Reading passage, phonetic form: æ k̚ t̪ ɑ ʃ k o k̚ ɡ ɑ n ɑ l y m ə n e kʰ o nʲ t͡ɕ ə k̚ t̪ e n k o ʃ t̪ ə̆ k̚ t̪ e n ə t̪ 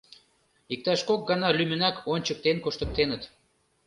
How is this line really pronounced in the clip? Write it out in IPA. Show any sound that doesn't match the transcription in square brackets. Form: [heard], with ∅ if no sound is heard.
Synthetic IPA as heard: [i] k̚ t̪ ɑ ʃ k o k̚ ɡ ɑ n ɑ l y m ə n [æ] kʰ o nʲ t͡ɕ ə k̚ t̪ e n k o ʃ t̪ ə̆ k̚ t̪ e n ə t̪